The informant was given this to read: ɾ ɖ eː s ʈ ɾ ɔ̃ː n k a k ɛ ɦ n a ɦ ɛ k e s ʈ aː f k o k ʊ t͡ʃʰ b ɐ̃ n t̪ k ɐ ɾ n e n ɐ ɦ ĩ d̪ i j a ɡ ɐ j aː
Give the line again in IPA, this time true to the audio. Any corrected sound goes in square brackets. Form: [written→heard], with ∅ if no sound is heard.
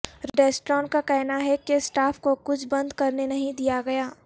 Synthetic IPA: ɾ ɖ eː s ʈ ɾ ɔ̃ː n k a k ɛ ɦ n a ɦ ɛ k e s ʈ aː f k o k ʊ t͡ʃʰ b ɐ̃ n [t̪→d̪] k ɐ ɾ n e n ɐ ɦ ĩ d̪ i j a ɡ ɐ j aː